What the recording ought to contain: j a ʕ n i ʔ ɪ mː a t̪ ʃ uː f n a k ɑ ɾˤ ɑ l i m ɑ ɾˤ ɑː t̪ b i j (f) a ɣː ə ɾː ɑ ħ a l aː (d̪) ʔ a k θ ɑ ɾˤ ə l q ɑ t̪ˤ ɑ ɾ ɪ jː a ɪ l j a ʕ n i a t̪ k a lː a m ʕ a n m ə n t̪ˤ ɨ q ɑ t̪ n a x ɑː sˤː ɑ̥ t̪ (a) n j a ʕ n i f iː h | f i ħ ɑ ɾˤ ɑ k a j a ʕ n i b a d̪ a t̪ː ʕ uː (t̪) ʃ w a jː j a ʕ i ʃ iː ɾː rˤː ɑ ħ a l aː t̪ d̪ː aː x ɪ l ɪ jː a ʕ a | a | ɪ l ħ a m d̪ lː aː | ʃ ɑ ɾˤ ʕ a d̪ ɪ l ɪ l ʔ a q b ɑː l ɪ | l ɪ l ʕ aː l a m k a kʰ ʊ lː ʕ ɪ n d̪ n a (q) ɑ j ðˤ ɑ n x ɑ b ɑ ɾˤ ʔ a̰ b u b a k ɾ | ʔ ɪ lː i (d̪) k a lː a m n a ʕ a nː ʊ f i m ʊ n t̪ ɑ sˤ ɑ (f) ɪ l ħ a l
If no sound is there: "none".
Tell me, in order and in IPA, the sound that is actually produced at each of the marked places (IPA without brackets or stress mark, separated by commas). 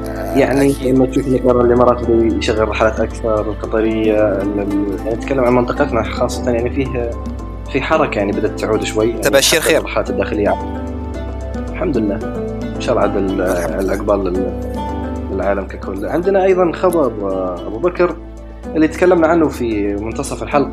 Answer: ʃ, t̪, ɑ, d̪, ʔ, t̪, f